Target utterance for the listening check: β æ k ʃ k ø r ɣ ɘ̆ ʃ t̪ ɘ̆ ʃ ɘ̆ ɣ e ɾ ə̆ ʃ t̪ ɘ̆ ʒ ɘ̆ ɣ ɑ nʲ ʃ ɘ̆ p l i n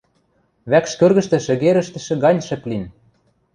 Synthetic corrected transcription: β æ k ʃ k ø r ɣ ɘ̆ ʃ t̪ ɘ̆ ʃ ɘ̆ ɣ e ɾ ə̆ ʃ t̪ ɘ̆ ʃ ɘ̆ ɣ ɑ nʲ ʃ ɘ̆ p l i n